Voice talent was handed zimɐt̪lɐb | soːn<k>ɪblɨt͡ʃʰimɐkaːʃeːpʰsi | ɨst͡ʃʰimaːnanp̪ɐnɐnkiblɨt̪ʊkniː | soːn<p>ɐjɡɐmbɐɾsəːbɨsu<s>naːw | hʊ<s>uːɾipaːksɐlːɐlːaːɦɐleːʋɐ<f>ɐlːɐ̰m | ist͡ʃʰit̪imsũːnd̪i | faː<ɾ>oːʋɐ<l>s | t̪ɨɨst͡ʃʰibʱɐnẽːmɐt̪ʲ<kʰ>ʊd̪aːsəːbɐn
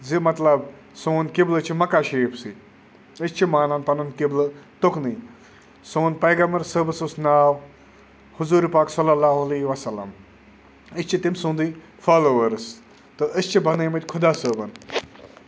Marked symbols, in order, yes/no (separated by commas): yes, yes, yes, no, no, no, no, yes